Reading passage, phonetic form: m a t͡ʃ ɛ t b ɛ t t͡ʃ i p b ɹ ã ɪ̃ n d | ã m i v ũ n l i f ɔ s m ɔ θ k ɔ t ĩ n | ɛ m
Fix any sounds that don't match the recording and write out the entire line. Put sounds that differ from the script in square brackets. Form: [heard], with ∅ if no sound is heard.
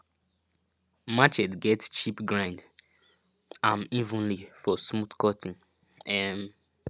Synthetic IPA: m a t͡ʃ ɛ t [ɡ] ɛ t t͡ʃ i p [ɡ] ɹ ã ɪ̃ n d | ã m i v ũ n l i f ɔ s m [u] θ k ɔ t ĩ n | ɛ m